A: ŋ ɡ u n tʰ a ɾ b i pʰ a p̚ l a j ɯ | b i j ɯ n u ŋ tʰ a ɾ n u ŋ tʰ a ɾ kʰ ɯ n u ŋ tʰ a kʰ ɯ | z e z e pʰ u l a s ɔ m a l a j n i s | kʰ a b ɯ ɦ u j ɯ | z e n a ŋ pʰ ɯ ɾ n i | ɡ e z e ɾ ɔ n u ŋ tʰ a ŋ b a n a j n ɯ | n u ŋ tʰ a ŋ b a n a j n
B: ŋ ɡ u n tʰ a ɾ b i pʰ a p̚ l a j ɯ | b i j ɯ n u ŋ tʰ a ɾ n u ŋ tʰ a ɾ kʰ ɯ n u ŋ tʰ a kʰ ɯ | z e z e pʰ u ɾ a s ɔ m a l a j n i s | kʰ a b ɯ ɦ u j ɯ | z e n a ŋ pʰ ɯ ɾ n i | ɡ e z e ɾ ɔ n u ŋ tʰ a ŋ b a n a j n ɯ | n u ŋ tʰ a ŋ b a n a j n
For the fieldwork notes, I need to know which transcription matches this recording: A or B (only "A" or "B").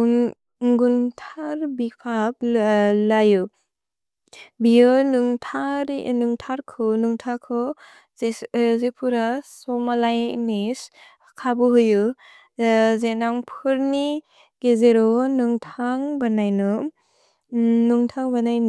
B